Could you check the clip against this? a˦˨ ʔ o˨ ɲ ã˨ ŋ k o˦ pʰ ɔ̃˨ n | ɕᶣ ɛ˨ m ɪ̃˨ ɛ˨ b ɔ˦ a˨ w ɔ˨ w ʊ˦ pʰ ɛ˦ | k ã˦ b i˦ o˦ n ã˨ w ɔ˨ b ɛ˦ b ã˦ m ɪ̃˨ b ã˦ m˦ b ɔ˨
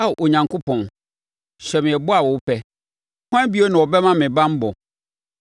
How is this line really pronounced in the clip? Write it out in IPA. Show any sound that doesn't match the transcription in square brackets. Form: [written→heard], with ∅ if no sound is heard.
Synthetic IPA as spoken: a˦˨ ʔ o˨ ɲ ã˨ ŋ k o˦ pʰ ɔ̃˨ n | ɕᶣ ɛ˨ m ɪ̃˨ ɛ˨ b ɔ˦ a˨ w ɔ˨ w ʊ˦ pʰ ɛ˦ | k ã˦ b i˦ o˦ n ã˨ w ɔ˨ b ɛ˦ [b→m] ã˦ m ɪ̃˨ b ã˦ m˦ b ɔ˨